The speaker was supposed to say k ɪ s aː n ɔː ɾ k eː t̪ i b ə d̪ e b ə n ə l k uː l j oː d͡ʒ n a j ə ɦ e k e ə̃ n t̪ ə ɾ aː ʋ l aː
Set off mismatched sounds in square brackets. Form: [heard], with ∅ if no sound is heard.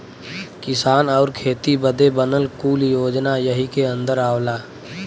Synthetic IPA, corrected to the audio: k ɪ s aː n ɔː ɾ [kʰ] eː t̪ i b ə d̪ e b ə n ə l k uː l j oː d͡ʒ n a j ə ɦ [i] k e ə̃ n [d̪] ə ɾ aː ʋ l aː

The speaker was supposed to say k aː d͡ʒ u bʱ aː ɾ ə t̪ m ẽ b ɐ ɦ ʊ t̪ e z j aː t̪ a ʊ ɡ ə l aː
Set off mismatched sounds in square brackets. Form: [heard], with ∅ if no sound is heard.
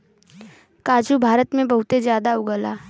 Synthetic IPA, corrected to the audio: k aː d͡ʒ u bʱ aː ɾ ə t̪ m ẽ b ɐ ɦ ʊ t̪ e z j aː [d̪] a ʊ ɡ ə l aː

